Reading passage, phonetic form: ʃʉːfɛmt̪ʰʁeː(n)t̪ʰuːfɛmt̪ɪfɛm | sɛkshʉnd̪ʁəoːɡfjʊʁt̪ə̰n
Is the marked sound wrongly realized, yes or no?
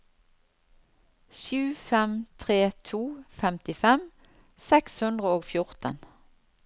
yes